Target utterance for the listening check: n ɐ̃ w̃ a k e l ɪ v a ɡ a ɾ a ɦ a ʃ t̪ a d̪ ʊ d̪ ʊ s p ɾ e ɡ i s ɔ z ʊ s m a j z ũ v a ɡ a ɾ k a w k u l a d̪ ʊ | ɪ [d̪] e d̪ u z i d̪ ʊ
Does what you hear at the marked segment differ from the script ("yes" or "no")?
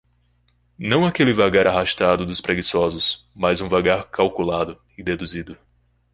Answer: no